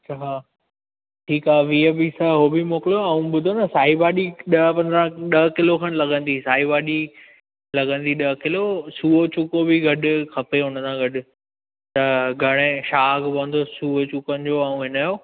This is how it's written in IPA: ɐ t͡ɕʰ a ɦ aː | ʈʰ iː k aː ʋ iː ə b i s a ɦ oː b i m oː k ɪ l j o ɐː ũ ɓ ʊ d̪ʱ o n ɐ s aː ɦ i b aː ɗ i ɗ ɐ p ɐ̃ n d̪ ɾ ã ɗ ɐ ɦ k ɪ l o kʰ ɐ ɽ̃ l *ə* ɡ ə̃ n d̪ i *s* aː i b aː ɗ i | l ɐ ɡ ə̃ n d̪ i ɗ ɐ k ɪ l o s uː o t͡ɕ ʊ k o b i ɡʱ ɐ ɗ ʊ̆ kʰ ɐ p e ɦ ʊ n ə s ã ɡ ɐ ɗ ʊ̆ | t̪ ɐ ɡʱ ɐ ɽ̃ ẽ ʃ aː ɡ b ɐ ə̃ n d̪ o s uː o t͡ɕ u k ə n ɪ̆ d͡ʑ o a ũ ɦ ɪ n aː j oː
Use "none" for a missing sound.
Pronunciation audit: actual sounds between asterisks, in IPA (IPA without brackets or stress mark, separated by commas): ɐ, s